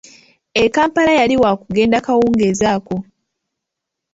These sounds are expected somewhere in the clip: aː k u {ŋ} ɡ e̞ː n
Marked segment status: incorrect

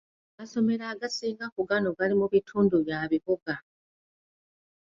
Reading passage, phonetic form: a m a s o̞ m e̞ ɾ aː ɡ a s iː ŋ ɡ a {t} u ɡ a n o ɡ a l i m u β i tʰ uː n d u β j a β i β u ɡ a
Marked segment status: incorrect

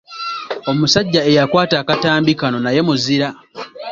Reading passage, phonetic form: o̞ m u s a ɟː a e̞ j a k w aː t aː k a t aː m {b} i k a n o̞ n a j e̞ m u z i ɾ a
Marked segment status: correct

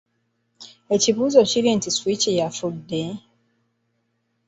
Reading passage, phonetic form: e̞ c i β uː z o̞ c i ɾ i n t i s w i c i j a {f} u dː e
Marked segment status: correct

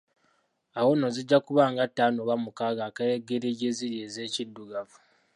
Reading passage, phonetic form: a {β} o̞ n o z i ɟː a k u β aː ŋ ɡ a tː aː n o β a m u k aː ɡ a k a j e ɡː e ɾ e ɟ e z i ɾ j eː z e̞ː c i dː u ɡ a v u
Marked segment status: incorrect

